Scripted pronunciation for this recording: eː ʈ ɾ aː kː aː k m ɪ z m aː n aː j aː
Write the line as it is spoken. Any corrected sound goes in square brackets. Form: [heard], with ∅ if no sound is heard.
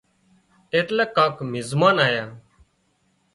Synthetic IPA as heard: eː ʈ [l] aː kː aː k m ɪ z m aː n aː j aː